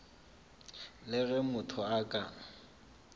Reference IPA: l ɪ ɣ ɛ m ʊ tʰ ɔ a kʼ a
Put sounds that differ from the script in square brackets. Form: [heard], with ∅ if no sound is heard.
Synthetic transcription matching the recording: l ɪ ɣ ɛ m ʊ tʰ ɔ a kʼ a